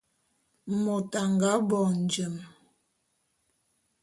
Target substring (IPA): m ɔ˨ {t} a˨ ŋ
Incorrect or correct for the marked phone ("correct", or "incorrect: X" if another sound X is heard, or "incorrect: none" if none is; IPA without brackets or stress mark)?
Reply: correct